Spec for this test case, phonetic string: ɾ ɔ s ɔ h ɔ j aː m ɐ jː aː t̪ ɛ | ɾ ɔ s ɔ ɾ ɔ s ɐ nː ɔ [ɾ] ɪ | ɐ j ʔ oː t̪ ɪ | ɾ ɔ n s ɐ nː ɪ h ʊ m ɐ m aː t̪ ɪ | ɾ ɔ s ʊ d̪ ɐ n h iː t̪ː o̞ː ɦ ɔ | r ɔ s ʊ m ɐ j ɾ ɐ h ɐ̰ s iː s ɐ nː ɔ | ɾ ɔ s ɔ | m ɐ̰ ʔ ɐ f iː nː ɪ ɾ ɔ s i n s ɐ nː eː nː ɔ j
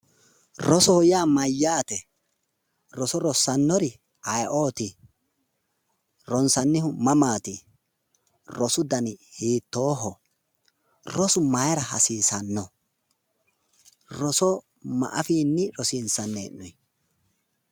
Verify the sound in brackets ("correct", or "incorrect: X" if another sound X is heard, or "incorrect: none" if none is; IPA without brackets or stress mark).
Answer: correct